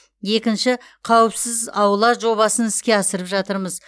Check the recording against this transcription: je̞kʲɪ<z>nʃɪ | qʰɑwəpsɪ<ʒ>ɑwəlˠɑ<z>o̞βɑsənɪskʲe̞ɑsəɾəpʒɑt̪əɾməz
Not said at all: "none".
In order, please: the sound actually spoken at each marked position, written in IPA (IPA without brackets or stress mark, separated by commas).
none, z, ʒ